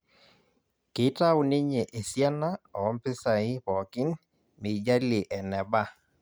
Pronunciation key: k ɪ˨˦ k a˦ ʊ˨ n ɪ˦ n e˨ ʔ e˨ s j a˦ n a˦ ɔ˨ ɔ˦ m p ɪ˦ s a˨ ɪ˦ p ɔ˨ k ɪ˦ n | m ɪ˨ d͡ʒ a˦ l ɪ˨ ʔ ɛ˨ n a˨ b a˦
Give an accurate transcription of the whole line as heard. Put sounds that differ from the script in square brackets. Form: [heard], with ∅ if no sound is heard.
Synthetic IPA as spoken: k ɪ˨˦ [t] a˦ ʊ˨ n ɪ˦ [ɲ] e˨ ʔ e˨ s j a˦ n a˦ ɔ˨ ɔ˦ m p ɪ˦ s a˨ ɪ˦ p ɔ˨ k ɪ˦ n | m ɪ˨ d͡ʒ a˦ l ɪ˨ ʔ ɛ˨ n [ɛ˨] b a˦